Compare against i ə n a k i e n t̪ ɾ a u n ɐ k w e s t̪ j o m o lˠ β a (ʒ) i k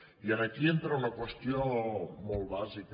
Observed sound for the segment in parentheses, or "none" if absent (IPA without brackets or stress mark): z